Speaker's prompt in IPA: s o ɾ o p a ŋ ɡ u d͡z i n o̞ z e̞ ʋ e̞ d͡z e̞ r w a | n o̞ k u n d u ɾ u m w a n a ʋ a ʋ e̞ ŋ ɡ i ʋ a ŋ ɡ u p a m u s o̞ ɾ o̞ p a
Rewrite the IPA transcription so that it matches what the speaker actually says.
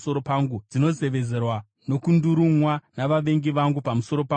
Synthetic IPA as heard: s o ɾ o p a ŋ ɡ u d͡z i n o̞ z e̞ ʋ e̞ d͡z e̞ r w a | n o̞ k u n d u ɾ u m w a n a ʋ a ʋ e̞ ŋ ɡ i ʋ a ŋ ɡ u p a m u s o̞ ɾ o̞ p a

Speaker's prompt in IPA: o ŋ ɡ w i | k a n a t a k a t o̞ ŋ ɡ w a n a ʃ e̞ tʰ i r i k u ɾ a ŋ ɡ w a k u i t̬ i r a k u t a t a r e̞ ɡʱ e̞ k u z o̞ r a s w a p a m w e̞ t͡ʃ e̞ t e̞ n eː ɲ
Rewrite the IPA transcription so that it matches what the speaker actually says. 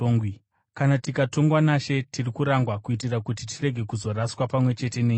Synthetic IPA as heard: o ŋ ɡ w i | k a n a t i k a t o̞ ŋ ɡ w a n a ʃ e̞ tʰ i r i k u ɾ a ŋ ɡ w a k u i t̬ i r a k u t i t i r e̞ ɡʱ e̞ k u z o̞ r a s w a p a m w e̞ t͡ʃ e̞ t e̞ n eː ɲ

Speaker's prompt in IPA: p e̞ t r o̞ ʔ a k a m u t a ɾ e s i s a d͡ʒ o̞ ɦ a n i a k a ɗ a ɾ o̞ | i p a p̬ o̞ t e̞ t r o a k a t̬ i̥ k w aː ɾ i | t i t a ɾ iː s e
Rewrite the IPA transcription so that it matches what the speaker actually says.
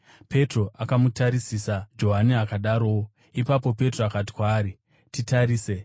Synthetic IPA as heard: p e̞ t r o̞ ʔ a k a m u t a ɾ i s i s a d͡ʒ o̞ ɦ a n i a k a ɗ a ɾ o̞ | i p a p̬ o̞ p e̞ t r o a k a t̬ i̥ k w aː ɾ i | t i t a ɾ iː s e

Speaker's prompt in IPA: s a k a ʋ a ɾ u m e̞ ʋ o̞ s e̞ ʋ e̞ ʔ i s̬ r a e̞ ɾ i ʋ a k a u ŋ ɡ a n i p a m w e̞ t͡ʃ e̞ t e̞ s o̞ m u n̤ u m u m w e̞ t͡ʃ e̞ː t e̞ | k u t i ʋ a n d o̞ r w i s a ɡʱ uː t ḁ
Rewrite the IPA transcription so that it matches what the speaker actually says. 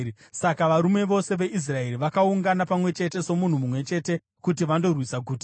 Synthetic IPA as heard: s a k a ʋ a ɾ u m e̞ ʋ o̞ s e̞ ʋ e̞ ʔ i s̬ r a e̞ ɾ i ʋ a k a u ŋ ɡ a n a p a m w e̞ t͡ʃ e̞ t e̞ s o̞ m u n̤ u m u m w e̞ t͡ʃ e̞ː t e̞ | k u t i ʋ a n d o̞ r w i s a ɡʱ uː t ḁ

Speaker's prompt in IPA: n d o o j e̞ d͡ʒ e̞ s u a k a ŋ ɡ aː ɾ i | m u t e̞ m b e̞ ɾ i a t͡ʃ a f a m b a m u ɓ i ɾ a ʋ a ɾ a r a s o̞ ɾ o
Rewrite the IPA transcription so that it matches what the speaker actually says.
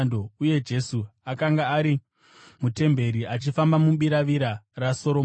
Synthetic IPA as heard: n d o u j e̞ d͡ʒ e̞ s u a k a ŋ ɡ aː ɾ i | m u t e̞ m b e̞ ɾ i a t͡ʃ i f a m b a m u ɓ i ɾ a ʋ i ɾ a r a s o̞ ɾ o

